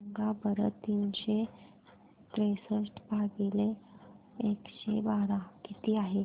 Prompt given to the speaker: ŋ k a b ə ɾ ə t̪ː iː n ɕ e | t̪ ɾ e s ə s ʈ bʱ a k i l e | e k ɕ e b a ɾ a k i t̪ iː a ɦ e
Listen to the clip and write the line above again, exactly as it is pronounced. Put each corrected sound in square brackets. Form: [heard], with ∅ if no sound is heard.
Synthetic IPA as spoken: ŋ [ɡ] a b ə ɾ ə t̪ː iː n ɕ e | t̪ ɾ e s ə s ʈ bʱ a [ɡ] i l e | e k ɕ e b a ɾ a k i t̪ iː a ɦ e